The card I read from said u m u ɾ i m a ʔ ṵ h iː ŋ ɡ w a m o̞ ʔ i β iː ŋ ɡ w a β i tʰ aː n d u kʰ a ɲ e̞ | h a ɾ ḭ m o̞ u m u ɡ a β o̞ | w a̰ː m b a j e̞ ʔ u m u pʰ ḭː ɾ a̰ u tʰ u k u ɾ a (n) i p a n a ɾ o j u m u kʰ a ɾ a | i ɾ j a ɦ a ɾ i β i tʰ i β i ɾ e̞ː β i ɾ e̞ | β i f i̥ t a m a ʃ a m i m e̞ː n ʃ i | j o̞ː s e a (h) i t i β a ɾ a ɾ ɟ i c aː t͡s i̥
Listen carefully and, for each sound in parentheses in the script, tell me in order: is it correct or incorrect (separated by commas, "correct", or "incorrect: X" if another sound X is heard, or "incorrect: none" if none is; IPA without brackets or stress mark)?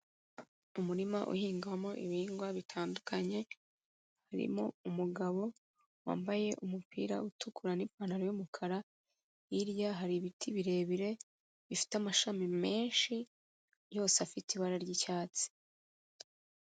correct, incorrect: f